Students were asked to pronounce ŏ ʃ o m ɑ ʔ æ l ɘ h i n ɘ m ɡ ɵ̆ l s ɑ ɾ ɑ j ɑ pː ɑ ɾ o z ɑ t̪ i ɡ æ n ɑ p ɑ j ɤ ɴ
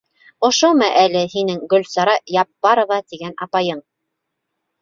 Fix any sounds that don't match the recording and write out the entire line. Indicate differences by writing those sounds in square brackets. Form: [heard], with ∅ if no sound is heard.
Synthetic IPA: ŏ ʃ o m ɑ ʔ æ l ɘ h i n ɘ [ŋ] ɡ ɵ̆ l s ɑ ɾ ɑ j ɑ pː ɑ ɾ o [v] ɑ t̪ i ɡ æ n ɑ p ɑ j ɤ ɴ